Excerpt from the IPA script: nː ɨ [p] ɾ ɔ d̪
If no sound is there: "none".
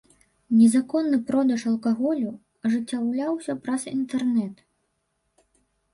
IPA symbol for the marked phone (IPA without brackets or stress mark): p